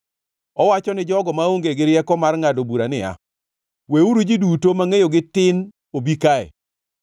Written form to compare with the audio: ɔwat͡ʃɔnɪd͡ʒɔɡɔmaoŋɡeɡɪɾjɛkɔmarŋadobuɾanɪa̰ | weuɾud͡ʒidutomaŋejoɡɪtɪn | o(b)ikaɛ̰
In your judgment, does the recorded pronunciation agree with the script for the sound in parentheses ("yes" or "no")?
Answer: yes